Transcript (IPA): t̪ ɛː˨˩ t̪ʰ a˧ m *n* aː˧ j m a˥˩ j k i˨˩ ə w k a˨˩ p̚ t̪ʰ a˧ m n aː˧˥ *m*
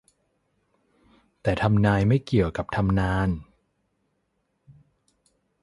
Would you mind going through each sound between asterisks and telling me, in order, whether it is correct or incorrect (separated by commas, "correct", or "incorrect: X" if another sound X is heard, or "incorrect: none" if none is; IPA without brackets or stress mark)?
correct, incorrect: n